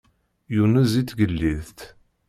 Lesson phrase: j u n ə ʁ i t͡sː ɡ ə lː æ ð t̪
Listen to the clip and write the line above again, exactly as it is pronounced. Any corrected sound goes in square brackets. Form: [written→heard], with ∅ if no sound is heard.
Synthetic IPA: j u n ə [ʁ→z] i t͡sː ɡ ə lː [æ→i] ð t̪